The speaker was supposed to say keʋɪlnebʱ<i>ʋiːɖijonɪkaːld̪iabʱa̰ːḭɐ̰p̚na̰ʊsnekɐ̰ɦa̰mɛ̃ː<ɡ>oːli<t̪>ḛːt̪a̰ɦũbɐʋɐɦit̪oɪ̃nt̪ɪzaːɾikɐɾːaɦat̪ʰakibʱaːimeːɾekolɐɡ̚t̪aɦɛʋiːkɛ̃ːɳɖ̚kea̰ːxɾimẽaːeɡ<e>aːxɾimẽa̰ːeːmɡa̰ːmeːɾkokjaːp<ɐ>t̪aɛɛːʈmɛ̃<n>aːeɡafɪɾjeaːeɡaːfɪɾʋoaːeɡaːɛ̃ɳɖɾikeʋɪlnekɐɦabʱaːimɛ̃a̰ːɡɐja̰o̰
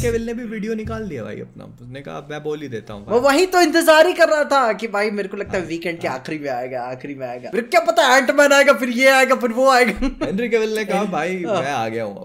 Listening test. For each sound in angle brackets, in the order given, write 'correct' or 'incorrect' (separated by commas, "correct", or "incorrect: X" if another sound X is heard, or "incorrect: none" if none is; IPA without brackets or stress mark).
correct, incorrect: b, incorrect: d̪, incorrect: a, correct, correct